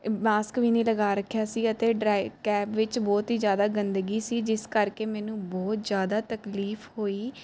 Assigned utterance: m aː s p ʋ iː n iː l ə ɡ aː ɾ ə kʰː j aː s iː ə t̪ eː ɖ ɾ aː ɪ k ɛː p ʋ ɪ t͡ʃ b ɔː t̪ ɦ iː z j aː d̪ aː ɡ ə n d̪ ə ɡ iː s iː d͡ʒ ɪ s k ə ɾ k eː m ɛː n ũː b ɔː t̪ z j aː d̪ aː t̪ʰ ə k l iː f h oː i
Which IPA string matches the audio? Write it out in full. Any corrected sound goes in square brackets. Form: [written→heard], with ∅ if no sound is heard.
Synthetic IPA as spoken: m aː s [p→k] ʋ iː n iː l ə ɡ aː ɾ ə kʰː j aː s iː ə t̪ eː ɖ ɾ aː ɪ k ɛː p ʋ ɪ t͡ʃ b ɔː t̪ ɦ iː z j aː d̪ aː ɡ ə n d̪ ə ɡ iː s iː d͡ʒ ɪ s k ə ɾ k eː m ɛː n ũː b ɔː t̪ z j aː d̪ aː [t̪ʰ→t̪] ə k l iː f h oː [i→iː]